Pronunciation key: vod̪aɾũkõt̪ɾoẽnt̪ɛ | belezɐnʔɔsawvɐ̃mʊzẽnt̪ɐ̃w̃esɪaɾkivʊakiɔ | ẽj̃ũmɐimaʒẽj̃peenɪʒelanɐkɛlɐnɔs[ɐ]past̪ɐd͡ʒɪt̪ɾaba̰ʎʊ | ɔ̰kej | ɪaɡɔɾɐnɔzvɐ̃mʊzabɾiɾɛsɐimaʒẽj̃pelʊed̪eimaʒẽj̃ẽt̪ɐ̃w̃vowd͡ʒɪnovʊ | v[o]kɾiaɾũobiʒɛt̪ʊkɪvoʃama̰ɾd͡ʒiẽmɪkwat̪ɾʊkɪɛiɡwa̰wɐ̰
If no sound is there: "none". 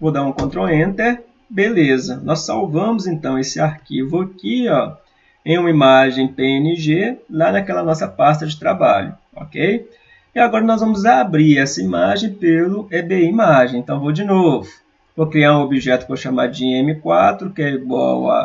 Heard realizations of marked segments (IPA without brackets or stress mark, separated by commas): ɐ, o